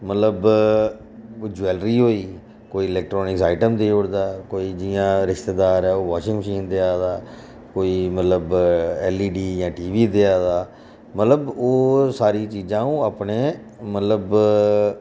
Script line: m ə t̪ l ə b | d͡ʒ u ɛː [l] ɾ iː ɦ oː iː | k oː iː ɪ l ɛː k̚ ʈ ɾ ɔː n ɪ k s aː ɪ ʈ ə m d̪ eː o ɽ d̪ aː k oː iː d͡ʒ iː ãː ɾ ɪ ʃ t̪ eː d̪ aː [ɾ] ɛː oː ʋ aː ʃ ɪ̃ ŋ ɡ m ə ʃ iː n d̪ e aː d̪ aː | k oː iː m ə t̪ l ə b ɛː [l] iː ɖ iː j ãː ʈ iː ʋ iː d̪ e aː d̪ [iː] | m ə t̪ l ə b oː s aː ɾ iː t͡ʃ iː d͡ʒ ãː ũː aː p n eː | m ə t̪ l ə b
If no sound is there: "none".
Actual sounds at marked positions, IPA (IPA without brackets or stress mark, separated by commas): l, ɾ, l, aː